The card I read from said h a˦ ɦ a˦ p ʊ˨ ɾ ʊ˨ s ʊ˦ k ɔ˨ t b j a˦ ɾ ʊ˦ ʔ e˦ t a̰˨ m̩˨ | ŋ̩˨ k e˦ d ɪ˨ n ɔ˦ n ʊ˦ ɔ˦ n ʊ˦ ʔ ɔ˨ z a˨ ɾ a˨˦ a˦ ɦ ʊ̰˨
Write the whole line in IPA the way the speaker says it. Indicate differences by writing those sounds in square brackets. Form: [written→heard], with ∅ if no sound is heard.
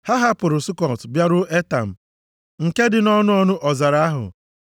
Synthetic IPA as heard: h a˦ ɦ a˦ p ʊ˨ ɾ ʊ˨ s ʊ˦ k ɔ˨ t b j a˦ ɾ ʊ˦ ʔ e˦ t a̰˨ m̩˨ | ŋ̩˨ k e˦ d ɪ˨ n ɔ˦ n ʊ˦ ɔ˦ n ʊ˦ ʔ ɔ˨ z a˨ ɾ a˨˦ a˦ ɦ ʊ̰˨